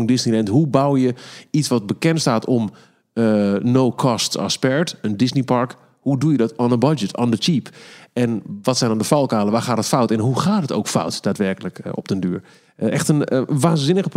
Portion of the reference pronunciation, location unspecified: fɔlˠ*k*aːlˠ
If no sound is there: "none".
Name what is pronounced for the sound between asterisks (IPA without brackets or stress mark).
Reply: k